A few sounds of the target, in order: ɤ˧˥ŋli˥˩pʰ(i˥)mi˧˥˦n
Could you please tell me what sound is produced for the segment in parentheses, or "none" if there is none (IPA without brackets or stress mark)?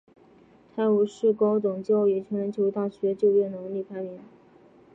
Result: a˥